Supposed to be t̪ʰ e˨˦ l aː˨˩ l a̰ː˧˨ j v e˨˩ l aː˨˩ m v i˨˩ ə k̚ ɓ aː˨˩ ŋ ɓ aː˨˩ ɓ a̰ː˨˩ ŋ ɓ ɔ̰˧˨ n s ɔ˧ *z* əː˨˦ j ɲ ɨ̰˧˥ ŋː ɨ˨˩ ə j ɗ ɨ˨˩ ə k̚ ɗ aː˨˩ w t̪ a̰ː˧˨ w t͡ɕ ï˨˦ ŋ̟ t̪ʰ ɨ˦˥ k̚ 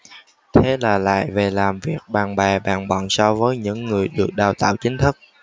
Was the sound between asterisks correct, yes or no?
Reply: no